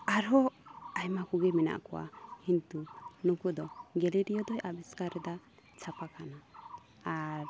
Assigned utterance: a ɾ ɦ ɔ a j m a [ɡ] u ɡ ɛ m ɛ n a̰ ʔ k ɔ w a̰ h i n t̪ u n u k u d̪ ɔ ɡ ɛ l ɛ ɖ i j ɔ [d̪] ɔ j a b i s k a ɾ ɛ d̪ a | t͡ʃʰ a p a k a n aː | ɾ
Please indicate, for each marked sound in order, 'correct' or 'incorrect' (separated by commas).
incorrect, correct